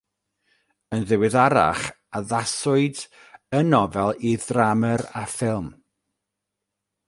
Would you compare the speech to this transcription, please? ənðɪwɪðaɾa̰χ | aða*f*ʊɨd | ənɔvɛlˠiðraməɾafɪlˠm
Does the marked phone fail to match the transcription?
yes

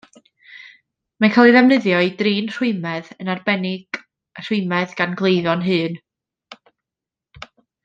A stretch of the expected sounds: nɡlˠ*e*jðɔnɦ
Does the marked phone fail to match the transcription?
no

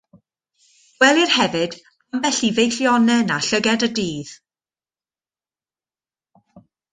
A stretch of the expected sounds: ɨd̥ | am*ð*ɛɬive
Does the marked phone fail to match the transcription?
yes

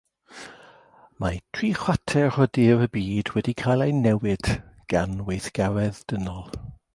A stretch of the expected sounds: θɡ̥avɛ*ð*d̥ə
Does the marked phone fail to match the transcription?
no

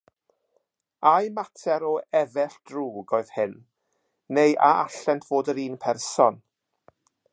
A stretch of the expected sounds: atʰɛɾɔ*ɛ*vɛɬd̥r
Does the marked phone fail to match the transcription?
no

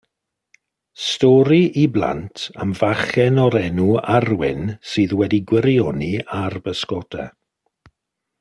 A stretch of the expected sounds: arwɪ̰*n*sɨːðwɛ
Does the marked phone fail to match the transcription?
no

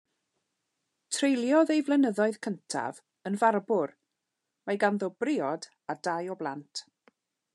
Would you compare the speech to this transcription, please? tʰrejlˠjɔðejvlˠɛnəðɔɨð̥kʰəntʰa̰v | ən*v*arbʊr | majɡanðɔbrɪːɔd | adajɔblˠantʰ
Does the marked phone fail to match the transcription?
no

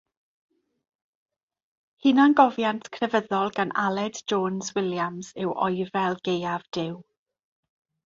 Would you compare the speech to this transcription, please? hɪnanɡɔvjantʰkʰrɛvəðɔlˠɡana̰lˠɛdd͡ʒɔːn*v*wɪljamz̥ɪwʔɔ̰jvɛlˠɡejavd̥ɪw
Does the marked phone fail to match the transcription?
yes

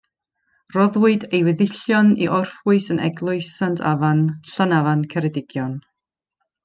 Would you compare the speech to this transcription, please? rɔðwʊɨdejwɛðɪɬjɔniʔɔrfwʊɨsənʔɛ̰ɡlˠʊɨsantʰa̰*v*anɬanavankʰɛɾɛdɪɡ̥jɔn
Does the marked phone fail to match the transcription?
no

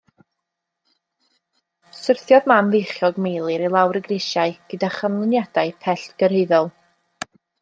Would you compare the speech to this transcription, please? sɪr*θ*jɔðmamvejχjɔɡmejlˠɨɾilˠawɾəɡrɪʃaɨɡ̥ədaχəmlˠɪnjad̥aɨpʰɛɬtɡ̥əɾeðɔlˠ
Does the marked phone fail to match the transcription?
no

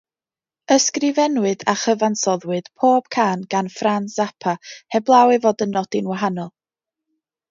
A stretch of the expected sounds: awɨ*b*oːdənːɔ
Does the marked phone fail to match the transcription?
yes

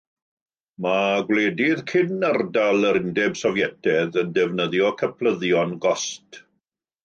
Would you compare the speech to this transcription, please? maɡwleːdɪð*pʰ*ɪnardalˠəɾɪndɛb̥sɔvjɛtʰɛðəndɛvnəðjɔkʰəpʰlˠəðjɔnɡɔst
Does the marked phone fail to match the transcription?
yes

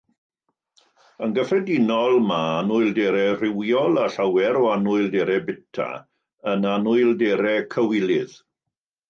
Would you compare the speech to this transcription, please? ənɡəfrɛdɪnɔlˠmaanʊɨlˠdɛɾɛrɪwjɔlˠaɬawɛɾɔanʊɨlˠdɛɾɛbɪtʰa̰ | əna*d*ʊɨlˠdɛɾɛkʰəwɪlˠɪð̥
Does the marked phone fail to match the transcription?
yes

